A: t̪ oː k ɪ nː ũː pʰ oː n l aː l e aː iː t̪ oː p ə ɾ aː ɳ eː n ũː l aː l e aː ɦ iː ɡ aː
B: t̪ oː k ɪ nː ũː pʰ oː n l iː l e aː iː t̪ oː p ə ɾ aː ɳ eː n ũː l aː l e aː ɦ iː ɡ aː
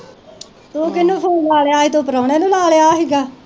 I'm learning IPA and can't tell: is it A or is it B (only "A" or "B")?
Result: A